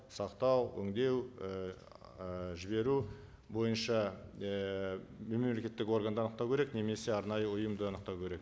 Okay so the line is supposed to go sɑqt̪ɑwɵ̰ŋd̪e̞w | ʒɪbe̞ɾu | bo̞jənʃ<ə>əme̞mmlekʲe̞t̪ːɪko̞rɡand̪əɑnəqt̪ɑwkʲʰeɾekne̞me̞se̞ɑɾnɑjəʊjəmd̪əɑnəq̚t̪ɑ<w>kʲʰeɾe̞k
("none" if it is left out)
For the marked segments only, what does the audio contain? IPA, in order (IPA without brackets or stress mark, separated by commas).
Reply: ɑ, w